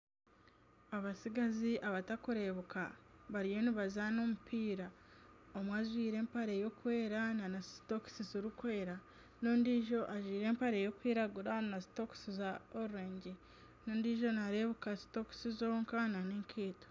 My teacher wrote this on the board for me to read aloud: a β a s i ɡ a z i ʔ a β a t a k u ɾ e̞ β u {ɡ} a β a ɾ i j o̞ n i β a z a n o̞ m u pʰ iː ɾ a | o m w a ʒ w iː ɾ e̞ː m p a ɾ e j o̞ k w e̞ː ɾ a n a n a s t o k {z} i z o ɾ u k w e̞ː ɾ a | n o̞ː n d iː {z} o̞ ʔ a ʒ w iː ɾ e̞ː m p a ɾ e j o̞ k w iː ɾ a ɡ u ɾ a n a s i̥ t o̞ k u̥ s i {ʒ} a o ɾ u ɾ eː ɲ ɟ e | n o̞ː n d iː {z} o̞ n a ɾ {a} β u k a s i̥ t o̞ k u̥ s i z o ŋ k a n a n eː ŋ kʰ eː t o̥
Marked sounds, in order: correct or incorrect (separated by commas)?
incorrect, incorrect, incorrect, incorrect, incorrect, incorrect